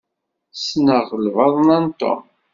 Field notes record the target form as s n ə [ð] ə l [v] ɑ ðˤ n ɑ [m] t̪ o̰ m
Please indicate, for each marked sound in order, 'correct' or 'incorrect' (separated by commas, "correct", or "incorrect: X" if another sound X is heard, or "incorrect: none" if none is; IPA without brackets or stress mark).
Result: incorrect: ʁ, correct, incorrect: n